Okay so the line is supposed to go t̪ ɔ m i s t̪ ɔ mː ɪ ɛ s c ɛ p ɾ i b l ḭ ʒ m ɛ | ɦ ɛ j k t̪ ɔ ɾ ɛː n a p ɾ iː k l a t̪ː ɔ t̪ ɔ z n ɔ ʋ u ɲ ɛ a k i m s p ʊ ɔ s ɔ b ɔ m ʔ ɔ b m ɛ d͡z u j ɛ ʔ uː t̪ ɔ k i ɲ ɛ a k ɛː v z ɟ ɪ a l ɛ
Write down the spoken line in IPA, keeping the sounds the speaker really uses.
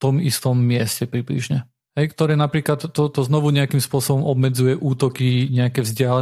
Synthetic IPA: t̪ ɔ m i s t̪ ɔ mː ɪ ɛ s c ɛ p ɾ i b l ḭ ʒ ɲ ɛ | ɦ ɛ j k t̪ ɔ ɾ ɛː n a p ɾ iː k l a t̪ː ɔ t̪ ɔ z n ɔ ʋ u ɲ ɛ a k i m s p ʊ ɔ s ɔ b ɔ m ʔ ɔ b m ɛ d͡z u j ɛ ʔ uː t̪ ɔ k i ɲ ɛ a k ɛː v z ɟ ɪ a l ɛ